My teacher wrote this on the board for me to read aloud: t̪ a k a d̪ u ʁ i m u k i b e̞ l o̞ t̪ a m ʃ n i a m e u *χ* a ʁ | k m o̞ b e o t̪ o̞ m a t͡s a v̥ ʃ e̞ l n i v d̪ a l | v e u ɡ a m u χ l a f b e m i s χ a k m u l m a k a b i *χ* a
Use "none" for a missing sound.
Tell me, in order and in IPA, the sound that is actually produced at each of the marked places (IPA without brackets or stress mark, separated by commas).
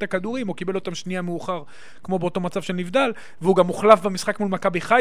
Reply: χ, χ